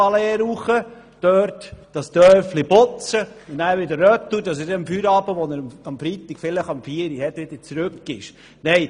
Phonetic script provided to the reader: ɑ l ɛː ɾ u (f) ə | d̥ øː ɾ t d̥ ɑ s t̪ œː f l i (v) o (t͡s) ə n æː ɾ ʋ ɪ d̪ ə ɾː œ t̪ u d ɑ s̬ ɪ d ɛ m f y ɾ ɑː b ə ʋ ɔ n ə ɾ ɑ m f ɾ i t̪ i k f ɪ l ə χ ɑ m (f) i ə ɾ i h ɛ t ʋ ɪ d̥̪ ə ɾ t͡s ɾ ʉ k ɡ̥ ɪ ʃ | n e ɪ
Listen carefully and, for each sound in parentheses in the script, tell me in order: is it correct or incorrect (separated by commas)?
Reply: incorrect, incorrect, correct, correct